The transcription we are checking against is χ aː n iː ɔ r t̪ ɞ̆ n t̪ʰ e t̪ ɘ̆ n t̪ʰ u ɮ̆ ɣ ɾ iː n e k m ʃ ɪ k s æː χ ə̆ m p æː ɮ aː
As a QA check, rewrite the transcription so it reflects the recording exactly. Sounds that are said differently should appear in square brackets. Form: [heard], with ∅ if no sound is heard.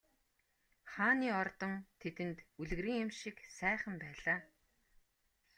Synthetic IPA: χ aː n iː ɔ r t̪ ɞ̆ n t̪ʰ e t̪ ɘ̆ n [t̪] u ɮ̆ ɣ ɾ iː [ŋ] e [∅] m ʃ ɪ k s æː χ ə̆ m p æː ɮ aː

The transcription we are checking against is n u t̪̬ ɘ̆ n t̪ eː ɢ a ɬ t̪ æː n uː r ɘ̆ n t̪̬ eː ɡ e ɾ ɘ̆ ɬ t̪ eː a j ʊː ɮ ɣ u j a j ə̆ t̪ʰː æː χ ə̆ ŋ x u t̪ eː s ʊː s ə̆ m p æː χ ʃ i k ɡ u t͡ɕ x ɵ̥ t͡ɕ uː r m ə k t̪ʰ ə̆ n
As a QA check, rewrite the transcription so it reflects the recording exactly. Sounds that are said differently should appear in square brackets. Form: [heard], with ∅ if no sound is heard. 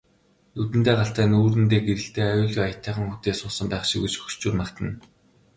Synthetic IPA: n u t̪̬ ɘ̆ n t̪ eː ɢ a ɬ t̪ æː n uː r ɘ̆ n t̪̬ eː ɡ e ɾ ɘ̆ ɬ t̪ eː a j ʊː ɮ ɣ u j a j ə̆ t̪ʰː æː χ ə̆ ŋ x u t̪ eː s ʊː s ə̆ m p æː χ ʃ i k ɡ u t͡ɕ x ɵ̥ t͡ɕ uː r m [a] k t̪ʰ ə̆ n

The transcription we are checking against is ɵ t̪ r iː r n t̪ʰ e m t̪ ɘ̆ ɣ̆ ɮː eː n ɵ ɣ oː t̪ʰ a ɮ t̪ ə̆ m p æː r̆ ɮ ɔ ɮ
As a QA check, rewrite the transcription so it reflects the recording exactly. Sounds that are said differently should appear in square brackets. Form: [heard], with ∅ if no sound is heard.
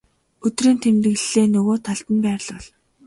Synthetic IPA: ɵ t̪ r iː [∅] n t̪ʰ e m t̪ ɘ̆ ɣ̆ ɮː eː n ɵ ɣ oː t̪ʰ a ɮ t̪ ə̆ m p æː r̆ ɮ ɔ ɮ

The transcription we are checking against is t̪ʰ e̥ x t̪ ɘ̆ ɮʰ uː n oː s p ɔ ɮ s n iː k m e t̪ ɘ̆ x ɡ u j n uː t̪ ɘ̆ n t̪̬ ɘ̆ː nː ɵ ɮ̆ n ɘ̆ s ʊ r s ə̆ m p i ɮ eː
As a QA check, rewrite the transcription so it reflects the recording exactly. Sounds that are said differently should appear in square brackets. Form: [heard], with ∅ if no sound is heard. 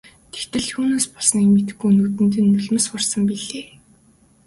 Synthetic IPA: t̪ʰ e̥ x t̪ ɘ̆ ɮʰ uː n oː s p ɔ ɮ s n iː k m e t̪ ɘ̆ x ɡ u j n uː t̪ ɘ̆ n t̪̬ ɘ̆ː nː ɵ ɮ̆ [m] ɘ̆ s ʊ r s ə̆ m p i ɮ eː

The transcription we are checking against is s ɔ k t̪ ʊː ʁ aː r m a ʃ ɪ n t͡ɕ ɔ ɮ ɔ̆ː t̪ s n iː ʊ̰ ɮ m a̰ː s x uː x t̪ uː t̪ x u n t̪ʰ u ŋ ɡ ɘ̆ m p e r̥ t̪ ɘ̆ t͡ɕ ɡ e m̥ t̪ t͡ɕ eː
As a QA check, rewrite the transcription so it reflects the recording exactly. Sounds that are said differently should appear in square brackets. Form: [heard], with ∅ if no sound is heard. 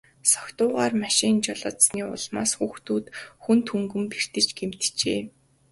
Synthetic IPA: s ɔ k t̪ ʊː ʁ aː r m a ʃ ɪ n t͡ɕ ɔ ɮ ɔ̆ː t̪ s n iː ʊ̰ ɮ m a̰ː s x uː x t̪ uː t̪ x u n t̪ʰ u ŋ ɡ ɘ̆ m p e r̥ t̪ ɘ̆ t͡ɕ ɡ e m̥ t̪ t͡ɕ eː

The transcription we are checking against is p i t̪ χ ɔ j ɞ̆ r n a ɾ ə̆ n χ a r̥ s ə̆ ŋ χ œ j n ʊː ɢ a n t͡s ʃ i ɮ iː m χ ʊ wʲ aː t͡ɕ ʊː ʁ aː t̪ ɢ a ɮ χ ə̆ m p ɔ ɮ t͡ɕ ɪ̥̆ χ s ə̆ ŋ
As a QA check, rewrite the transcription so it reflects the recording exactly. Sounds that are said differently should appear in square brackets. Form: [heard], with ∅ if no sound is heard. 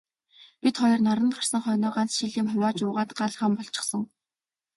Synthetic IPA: p i t̪ χ ɔ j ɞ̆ r n a ɾ ə̆ n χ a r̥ s ə̆ ŋ χ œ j n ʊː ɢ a n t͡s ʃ i ɮ iː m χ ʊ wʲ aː t͡ɕ ʊː ʁ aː t̪ ɢ a ɮ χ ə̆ m p ɔ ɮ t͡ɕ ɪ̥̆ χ s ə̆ ŋ

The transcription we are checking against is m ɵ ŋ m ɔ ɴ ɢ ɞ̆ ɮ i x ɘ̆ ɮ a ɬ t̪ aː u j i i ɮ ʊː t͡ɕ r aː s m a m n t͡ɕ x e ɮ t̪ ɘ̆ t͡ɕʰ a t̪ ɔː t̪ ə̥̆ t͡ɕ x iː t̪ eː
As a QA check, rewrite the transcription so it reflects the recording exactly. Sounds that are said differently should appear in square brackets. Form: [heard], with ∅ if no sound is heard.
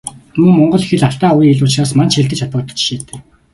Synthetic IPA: m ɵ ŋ m ɔ ɴ ɢ ɞ̆ ɮ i x ɘ̆ ɮ a ɬ t̪ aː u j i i ɮ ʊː t͡ɕ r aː s m a [∅] n t͡ɕ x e ɮ t̪ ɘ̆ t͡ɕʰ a t̪ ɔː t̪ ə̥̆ t͡ɕ [ʃ] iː t̪ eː

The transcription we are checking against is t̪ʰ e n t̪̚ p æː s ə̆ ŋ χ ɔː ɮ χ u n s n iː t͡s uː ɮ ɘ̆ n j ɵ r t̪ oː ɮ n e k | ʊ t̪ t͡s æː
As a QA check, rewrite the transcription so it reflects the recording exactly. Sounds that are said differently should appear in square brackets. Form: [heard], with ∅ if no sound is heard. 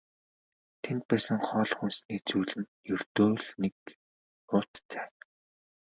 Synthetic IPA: t̪ʰ e n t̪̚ p æː s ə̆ ŋ χ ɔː ɮ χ u n s n iː t͡s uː ɮ ɘ̆ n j ɵ r t̪ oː ɮ n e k | ʊ t̪ t͡s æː

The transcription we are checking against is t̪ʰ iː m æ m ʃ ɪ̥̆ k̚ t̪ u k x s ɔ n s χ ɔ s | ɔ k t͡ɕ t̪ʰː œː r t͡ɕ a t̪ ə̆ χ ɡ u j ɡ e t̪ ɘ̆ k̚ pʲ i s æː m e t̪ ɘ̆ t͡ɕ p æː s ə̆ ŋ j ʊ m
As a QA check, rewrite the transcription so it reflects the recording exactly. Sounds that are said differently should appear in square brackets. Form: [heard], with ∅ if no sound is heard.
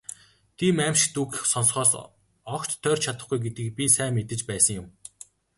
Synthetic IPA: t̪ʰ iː m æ m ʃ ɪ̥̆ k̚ t̪ u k x s ɔ n s χ [ɔː] s | ɔ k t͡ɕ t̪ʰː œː r [t͡ɕʰ] a t̪ ə̆ χ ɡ u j ɡ e t̪ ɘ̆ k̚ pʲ i s æː m e t̪ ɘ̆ t͡ɕ p æː s ə̆ ŋ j ʊ m

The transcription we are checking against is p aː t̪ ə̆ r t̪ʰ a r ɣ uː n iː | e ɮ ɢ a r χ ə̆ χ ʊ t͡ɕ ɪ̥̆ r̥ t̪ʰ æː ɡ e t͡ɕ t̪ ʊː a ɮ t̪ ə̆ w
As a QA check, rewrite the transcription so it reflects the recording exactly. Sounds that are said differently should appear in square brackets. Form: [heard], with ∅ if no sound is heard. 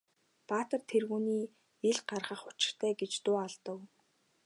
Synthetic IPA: p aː t̪ ə̆ r t̪ʰ [e] r ɣ uː n iː | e ɮ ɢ a r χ ə̆ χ ʊ t͡ɕ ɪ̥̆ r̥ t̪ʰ æː ɡ e t͡ɕ t̪ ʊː a ɮ t̪ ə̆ w

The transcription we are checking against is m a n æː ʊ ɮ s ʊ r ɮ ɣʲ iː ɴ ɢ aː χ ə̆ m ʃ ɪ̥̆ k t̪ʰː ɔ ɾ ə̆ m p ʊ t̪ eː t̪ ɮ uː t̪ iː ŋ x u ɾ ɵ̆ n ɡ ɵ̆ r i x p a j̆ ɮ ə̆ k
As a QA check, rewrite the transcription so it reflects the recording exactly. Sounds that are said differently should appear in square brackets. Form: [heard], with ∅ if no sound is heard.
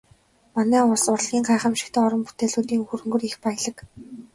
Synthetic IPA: m a n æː ʊ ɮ s ʊ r ɮ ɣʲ iː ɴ ɢ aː χ ə̆ m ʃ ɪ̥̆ k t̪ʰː ɔ ɾ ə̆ m p [u] t̪ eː [∅] ɮ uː t̪ iː ŋ x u ɾ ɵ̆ [ŋ] ɡ ɵ̆ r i x p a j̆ ɮ ə̆ k

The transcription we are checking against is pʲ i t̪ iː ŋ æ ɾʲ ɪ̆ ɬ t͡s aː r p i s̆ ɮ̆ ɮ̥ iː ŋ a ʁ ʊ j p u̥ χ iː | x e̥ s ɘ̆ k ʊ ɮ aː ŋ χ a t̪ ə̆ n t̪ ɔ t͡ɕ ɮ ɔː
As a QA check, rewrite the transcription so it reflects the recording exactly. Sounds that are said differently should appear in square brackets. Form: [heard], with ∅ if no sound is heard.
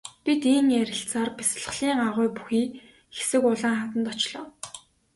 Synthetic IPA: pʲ i t̪ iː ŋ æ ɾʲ ɪ̆ ɬ t͡s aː r p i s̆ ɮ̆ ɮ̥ iː ŋ a ʁ ʊ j p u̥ [x] iː | x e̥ s ɘ̆ k ʊ ɮ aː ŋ χ a t̪ ə̆ n t̪ ɔ t͡ɕ ɮ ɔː

